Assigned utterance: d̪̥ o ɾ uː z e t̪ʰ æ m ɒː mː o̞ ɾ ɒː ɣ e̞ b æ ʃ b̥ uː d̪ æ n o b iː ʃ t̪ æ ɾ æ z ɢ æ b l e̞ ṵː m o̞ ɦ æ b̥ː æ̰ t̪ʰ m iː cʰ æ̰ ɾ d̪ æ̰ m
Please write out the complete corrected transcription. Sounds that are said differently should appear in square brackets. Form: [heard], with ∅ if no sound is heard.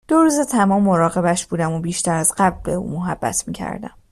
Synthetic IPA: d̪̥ o ɾ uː z e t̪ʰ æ m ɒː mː o̞ ɾ ɒː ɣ e̞ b æ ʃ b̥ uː d̪ æ [m] o b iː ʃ t̪ æ ɾ æ z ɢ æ b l e̞ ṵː m o̞ ɦ æ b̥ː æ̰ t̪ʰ m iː cʰ æ̰ ɾ d̪ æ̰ m